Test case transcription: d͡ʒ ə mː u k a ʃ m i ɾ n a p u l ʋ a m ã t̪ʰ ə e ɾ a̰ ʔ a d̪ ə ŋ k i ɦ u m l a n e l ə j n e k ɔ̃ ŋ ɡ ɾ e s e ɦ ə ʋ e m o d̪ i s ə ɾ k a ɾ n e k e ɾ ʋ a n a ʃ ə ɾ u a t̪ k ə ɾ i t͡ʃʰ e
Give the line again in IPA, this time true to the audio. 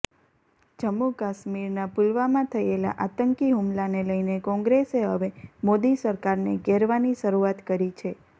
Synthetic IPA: d͡ʒ ə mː u k a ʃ m i ɾ n a p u l ʋ a m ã t̪ʰ ə e l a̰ ʔ a t̪ ə ŋ k i ɦ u m l a n e l ə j n e k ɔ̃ ŋ ɡ ɾ e s e ɦ ə ʋ e m o d̪ i s ə ɾ k a ɾ n e ɡ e ɾ ʋ a n i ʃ ə ɾ u a t̪ k ə ɾ i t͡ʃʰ e